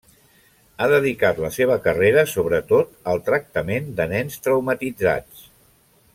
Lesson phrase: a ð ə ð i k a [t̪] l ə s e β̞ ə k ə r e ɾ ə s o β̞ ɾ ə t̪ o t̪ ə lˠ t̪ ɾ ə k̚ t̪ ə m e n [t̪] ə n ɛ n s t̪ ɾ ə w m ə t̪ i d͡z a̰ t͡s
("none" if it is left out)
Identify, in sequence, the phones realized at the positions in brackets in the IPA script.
t̪, d̪

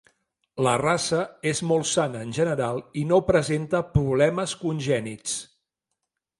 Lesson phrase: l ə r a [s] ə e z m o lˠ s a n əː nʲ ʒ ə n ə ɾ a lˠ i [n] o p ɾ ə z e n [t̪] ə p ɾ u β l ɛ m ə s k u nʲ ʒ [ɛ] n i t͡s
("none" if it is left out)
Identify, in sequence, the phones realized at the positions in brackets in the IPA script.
s, n, t̪, ɛ

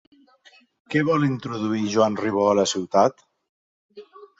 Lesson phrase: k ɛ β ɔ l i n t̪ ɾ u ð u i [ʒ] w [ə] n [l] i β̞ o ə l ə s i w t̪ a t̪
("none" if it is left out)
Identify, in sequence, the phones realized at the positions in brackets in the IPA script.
ʒ, a, r

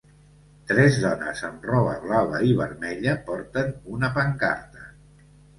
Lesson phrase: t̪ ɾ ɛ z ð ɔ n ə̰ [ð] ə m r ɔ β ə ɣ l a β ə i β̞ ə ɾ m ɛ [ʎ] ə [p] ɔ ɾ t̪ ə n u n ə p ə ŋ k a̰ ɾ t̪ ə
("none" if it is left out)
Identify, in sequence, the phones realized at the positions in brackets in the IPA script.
z, ʎ, p

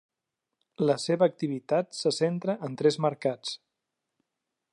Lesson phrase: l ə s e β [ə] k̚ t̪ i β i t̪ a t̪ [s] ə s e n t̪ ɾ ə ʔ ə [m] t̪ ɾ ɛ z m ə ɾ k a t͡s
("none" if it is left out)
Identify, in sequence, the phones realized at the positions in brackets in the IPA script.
əː, s, n

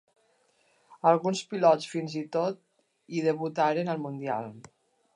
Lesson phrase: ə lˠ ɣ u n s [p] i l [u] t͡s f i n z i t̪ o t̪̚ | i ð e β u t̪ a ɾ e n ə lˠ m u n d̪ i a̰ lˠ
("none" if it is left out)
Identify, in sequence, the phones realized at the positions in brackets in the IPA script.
p, ɔ

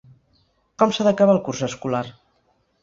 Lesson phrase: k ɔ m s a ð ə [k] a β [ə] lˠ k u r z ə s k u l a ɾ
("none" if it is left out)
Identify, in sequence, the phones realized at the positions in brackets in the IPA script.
k, a

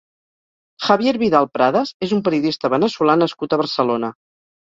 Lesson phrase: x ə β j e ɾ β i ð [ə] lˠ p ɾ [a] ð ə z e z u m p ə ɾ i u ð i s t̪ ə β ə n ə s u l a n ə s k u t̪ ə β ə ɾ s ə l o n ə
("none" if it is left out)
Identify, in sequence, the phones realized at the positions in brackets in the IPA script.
a, a

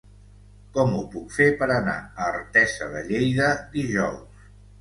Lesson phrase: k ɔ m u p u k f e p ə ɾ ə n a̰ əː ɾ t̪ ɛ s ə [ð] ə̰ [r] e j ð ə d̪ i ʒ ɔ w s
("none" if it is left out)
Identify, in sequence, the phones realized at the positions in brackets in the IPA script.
ð, ʎ

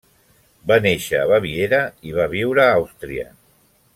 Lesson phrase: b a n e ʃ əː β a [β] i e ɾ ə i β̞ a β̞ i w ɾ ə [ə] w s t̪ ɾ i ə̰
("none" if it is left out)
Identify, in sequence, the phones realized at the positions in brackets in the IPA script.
β, a

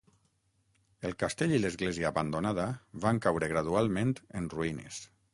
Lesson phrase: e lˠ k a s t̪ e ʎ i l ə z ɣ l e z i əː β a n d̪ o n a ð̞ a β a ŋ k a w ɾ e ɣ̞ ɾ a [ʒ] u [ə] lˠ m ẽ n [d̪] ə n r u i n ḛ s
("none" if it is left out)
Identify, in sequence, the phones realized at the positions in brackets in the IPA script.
ð, a, t̪

